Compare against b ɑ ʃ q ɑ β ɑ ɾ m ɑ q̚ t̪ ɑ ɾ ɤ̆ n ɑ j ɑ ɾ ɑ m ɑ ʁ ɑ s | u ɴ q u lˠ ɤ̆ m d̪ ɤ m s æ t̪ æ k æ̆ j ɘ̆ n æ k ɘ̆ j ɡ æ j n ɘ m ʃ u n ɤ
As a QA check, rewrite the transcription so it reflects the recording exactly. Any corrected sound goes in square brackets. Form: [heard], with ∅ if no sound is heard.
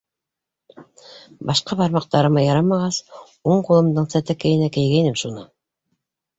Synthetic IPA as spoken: b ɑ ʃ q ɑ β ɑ ɾ m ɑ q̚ t̪ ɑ ɾ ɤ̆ [m] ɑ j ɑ ɾ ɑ m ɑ ʁ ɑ s | u ɴ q u lˠ ɤ̆ m d̪ ɤ [ɴ] s æ t̪ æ k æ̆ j ɘ̆ n æ k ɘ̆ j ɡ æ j n ɘ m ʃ u n ɤ